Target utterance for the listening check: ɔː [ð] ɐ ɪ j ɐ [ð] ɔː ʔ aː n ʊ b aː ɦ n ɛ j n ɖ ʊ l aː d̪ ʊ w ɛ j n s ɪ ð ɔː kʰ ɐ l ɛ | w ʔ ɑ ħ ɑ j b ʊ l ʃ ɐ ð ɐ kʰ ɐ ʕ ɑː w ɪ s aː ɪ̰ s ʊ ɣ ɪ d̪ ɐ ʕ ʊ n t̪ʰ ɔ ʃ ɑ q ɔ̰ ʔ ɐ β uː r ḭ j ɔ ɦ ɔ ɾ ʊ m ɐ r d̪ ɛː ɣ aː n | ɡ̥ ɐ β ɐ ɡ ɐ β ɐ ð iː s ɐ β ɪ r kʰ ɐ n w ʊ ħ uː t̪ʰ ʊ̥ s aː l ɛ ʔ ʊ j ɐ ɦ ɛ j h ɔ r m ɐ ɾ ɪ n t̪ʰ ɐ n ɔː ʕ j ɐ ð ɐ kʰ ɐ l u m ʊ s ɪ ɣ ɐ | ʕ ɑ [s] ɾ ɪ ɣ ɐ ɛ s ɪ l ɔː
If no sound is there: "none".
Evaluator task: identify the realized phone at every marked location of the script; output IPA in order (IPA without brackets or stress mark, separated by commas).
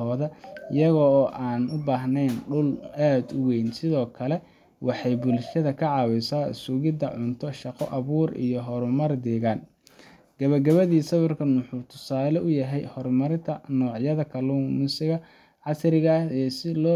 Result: ð, ɣ, s